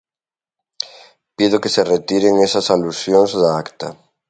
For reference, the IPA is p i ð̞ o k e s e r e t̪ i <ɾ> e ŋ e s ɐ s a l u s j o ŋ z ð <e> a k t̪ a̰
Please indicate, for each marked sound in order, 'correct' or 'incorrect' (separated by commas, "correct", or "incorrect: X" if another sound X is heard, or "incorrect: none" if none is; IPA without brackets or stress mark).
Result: correct, incorrect: a